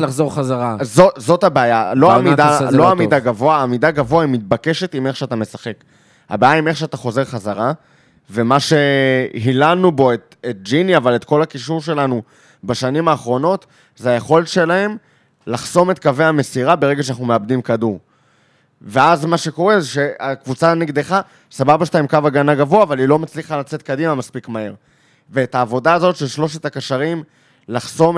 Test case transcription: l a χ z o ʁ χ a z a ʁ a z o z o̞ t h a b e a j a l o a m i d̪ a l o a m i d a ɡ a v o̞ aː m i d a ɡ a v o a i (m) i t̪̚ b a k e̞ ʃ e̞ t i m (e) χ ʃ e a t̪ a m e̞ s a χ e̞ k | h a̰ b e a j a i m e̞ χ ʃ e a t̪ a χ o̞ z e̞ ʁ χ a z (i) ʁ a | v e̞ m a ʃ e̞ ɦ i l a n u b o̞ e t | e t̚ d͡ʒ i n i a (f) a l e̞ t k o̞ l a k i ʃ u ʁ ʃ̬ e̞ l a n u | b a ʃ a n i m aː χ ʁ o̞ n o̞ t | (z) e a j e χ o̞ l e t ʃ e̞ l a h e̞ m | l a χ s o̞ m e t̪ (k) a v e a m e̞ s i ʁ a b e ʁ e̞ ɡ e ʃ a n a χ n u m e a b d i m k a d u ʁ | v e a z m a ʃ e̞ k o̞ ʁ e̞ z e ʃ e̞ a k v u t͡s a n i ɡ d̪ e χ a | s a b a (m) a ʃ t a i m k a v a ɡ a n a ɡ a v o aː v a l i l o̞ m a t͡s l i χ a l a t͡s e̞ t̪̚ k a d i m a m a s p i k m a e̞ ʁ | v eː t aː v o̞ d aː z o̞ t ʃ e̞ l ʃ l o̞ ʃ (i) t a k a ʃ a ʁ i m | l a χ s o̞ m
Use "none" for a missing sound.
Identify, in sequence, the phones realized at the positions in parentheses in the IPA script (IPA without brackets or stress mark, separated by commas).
m, e, a, v, z, k, b, e